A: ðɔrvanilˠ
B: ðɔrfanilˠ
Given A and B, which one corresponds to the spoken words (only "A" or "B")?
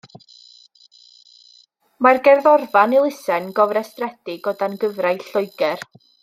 A